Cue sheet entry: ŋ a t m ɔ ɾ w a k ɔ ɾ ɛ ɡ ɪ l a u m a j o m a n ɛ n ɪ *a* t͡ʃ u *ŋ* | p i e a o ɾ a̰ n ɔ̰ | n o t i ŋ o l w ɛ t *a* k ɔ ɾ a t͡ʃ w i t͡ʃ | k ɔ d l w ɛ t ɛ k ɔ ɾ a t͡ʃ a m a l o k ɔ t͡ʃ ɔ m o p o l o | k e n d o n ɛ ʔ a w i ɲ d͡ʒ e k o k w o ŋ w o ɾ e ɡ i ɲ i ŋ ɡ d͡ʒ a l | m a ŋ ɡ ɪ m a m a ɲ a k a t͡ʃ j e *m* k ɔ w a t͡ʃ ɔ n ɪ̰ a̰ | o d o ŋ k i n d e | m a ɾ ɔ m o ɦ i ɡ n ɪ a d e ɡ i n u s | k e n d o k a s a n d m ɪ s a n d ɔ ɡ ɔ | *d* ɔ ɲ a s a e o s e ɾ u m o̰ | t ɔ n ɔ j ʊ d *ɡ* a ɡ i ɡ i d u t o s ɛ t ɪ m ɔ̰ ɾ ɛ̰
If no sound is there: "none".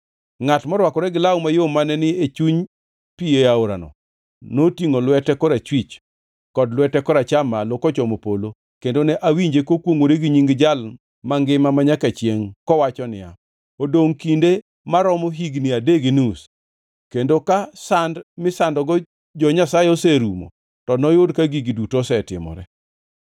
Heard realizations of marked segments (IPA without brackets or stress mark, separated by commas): e, ɲ, ɛ, ŋ, d͡ʒ, k